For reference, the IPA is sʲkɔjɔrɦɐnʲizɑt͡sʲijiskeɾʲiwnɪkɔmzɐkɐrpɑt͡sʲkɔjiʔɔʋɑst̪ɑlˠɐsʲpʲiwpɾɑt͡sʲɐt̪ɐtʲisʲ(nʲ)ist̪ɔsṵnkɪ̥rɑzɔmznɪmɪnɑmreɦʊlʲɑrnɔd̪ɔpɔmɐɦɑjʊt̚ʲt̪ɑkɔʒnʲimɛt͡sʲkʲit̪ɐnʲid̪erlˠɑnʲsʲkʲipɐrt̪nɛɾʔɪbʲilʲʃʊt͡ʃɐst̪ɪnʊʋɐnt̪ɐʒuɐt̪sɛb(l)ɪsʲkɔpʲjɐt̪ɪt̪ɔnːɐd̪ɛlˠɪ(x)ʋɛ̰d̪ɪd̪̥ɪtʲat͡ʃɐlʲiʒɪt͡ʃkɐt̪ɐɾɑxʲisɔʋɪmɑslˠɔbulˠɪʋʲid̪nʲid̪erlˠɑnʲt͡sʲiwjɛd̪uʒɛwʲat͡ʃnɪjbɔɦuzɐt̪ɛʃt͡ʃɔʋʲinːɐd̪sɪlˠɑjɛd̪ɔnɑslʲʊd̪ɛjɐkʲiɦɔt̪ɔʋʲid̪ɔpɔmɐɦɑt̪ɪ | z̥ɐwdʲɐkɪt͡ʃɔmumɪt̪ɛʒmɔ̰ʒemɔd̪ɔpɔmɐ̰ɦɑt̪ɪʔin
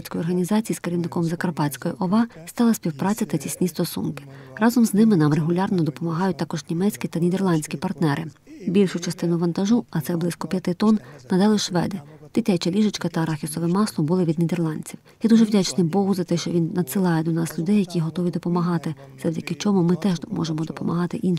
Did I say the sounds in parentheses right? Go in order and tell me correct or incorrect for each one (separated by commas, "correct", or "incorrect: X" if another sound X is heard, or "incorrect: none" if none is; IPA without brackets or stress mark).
correct, correct, incorrect: ʃ